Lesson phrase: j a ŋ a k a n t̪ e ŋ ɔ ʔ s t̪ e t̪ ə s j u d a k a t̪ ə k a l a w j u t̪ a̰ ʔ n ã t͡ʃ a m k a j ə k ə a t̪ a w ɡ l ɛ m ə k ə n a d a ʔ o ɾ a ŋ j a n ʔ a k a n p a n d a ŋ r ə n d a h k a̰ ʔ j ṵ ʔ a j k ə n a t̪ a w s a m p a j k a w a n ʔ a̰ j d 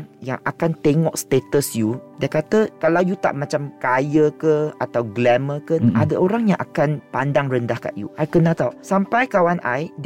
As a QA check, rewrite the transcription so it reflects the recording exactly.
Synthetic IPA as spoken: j a ŋ a k a n t̪ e ŋ ɔ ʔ s t̪ e t̪ ə s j u d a k a t̪ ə k a l a w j u t̪ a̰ ʔ m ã t͡ʃ a m k a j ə k ə a t̪ a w ɡ l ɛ m ə k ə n a d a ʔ o ɾ a ŋ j a ŋ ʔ a k a n p a n d a ŋ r ə n d a h k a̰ ʔ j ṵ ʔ a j k ə n a t̪ a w s a m p a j k a w a n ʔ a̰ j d